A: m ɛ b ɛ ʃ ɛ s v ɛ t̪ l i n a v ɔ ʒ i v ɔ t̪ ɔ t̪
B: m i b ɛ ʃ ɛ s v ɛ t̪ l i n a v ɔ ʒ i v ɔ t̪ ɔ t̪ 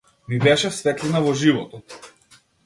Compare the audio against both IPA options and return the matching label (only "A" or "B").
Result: B